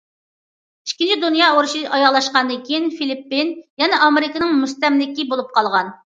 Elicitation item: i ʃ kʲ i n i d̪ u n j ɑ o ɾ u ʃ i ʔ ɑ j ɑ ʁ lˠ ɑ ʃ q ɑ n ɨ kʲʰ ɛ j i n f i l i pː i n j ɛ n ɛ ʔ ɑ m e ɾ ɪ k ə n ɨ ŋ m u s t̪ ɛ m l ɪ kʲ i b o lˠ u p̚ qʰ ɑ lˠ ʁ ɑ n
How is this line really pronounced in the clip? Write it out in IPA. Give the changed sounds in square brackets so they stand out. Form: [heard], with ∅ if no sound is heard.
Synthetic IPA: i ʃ kʲ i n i d̪ u n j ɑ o ɾ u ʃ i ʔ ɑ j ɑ ʁ lˠ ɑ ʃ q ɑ n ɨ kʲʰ [i] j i n f i l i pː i n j ɛ n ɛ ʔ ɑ m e ɾ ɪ k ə n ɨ ŋ m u s t̪ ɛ m l ɪ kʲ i b o lˠ u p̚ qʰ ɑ lˠ ʁ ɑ n